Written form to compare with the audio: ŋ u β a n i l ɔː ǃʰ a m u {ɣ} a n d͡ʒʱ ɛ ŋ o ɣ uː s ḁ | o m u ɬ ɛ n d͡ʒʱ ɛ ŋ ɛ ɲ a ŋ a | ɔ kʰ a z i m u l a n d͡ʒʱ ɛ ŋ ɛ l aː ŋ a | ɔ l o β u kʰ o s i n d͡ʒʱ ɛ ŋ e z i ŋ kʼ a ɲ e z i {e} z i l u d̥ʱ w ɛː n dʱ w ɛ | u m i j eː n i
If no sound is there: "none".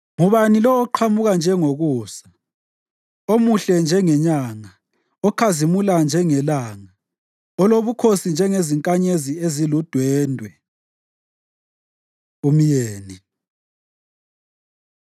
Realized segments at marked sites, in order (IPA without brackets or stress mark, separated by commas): ɣ, e